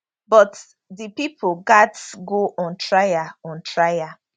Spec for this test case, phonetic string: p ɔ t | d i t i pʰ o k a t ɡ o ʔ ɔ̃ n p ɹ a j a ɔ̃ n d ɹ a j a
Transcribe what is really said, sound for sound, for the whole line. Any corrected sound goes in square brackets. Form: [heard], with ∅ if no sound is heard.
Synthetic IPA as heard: [b] ɔ t | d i [p] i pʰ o [ɡ] a t ɡ o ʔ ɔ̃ n [t] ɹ a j a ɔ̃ n [t] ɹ a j a